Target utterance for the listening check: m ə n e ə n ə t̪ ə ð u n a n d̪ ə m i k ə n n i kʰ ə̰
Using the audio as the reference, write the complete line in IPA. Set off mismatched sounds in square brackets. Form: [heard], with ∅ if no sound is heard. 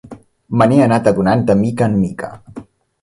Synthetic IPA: m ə n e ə n [a] t̪ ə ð u n a n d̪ ə m i k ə n [m] i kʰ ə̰